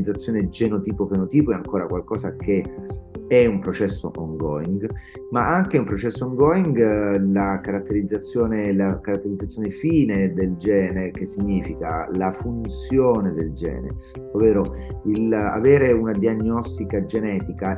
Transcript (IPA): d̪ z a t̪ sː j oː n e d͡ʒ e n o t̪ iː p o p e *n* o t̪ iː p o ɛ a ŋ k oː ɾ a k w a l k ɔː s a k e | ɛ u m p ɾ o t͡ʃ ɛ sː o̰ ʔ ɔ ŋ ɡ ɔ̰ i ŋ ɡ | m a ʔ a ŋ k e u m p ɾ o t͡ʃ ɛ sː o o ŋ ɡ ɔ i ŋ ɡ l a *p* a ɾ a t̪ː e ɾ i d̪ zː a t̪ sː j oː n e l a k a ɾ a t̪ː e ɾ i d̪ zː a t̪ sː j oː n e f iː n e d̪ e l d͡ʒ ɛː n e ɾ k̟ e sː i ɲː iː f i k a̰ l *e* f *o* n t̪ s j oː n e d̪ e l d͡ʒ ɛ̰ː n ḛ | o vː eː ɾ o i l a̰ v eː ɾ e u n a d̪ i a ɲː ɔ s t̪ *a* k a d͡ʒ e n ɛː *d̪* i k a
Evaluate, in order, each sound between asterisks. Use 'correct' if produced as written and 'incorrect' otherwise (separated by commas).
correct, incorrect, incorrect, incorrect, incorrect, incorrect